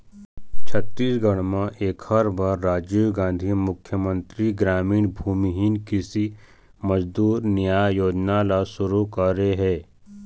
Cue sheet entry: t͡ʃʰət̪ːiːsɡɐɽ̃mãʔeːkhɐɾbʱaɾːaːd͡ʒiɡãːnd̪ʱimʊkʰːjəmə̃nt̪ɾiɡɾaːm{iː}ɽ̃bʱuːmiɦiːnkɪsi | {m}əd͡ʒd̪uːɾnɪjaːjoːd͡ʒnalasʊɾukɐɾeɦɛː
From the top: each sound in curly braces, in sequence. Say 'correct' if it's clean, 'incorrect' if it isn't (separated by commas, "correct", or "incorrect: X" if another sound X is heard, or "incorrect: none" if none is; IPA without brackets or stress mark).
correct, correct